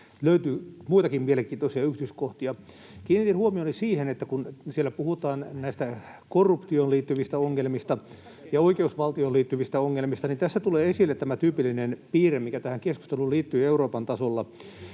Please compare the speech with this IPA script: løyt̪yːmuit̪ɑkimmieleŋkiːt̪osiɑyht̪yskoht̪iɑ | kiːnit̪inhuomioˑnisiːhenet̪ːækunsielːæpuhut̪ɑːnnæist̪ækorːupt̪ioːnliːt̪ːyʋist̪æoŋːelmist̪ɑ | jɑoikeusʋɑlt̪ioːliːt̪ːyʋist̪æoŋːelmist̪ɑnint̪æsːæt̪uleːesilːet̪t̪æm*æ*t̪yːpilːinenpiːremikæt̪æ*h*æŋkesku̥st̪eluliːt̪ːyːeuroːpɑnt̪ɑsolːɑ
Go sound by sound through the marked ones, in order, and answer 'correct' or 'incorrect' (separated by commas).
correct, correct